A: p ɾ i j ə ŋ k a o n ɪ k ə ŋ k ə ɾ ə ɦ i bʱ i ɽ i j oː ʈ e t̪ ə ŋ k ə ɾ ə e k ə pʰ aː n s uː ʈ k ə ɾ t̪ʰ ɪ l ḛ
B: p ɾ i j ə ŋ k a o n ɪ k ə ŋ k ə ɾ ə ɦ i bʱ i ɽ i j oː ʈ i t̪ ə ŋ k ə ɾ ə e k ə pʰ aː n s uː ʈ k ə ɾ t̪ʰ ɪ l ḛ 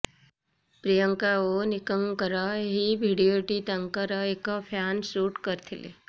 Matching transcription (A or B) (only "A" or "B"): B